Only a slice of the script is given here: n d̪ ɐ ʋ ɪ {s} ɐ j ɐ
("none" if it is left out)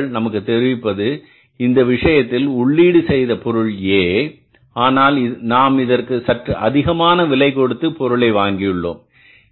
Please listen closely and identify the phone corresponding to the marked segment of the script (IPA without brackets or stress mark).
ʂ